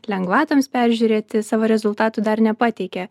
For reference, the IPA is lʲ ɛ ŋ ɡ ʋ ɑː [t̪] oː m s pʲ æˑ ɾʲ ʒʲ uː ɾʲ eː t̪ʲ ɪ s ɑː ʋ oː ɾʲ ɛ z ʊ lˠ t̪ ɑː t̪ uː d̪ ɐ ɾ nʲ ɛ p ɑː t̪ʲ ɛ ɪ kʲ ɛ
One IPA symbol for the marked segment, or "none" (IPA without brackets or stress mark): t̪